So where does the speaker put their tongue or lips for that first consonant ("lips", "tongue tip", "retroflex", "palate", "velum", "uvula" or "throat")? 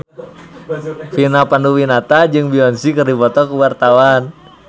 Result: lips